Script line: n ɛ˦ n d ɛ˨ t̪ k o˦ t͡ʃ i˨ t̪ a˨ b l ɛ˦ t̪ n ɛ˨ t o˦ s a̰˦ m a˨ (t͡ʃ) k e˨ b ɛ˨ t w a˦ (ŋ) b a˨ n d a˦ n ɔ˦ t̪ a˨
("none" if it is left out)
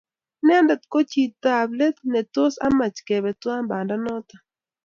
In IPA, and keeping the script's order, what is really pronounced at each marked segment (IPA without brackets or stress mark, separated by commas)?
t͡ʃ, m